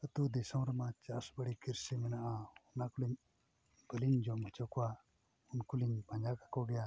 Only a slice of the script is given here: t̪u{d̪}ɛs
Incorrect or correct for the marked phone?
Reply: correct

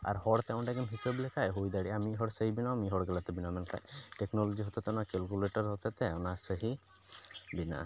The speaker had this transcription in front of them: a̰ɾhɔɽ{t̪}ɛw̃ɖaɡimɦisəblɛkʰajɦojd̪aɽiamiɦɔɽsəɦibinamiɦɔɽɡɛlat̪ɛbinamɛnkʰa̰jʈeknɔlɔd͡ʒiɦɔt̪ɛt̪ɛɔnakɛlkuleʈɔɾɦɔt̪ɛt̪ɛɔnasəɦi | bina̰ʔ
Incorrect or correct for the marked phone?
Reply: correct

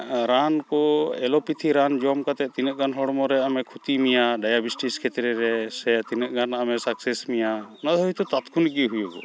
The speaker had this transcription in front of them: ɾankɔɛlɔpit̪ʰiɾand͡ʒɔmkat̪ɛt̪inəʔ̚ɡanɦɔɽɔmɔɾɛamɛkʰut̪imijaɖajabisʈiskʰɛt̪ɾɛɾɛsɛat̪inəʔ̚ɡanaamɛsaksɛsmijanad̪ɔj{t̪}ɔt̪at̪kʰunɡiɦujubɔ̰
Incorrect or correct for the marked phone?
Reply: correct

